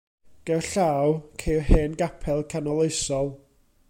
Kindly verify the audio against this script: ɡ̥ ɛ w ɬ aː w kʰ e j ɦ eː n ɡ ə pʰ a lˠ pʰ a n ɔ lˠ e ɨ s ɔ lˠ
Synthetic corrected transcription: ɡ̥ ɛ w ɬ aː w kʰ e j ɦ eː n ɡ a pʰ ɛ lˠ kʰ a n ɔ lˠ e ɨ s ɔ lˠ

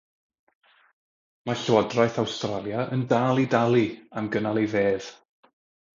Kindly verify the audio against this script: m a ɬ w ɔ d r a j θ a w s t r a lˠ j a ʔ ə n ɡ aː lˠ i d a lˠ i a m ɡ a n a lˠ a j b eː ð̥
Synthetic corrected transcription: m a ɬ w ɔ d r a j θ a w s t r a lˠ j a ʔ ə n d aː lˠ i d a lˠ i a m ɡ ə n a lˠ e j v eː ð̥

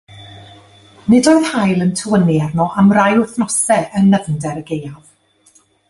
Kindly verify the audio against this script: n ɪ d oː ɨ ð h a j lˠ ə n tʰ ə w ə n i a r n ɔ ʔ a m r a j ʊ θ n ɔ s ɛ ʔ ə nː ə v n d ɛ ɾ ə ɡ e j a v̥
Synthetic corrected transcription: n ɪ d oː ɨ ð h a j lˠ ə n tʰ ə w ə n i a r n ɔ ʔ a m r a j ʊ θ n ɔ s ɛ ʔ ə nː ə v n d ɛ ɾ ə ɡ e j a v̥

